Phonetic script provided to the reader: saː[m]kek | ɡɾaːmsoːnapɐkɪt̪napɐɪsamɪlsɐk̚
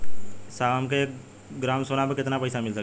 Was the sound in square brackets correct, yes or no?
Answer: yes